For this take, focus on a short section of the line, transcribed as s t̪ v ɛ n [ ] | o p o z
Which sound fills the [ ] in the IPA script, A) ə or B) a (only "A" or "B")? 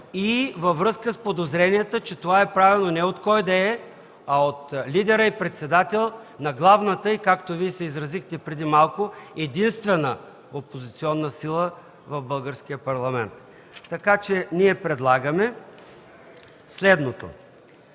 A